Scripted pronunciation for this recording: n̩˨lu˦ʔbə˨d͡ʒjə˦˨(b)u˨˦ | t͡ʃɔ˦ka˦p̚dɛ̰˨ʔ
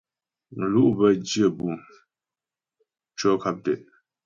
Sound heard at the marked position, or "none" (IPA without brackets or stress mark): b